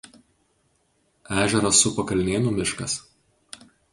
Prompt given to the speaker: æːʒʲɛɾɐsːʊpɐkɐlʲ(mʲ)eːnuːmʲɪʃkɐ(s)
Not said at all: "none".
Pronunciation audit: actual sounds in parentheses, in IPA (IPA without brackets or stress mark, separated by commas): nʲ, s